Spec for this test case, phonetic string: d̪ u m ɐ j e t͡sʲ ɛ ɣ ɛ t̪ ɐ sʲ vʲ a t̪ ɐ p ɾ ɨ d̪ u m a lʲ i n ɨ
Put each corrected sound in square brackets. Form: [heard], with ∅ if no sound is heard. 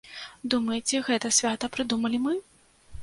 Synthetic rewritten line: d̪ u m ɐ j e t͡sʲ ɛ ɣ ɛ t̪ ɐ sʲ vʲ a t̪ ɐ p ɾ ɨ d̪ u m [ɐ] lʲ i [m] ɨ